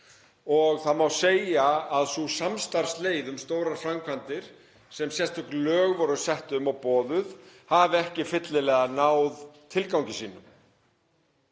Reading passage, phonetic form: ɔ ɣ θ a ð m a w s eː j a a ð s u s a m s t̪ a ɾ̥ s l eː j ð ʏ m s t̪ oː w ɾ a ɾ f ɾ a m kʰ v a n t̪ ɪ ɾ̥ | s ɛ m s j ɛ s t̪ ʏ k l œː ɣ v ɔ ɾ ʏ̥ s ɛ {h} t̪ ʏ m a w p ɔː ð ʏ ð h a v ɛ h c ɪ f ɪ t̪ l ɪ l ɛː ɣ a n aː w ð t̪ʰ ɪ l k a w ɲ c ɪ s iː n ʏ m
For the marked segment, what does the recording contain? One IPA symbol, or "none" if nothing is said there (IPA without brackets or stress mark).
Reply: h